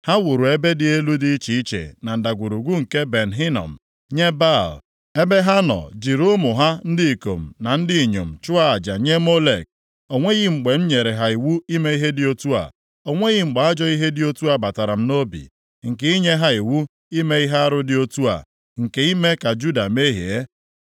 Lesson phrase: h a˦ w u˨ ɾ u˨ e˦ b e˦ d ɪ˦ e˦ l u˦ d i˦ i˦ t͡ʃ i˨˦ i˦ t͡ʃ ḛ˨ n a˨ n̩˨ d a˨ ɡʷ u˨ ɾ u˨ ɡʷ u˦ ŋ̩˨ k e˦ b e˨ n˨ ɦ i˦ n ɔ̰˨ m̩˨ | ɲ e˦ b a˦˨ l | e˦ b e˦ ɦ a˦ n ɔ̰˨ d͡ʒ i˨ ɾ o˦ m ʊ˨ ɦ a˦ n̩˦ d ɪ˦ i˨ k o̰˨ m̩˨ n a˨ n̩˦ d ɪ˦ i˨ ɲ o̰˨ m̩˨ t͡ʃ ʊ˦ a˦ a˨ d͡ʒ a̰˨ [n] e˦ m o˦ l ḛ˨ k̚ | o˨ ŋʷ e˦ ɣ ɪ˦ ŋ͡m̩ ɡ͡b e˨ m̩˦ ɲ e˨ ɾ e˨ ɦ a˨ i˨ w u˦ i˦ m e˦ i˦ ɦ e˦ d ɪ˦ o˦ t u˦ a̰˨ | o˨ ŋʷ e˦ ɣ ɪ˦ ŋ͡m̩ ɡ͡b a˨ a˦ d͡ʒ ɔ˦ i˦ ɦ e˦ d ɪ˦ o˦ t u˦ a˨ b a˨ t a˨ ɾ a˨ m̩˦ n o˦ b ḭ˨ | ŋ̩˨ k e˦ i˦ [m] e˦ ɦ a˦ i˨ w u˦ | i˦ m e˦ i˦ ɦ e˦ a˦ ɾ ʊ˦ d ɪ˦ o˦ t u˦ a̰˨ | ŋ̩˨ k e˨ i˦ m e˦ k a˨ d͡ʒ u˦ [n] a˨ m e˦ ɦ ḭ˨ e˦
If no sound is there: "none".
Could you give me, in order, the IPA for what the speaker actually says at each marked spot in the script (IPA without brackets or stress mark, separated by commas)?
ɲ, ɲ, d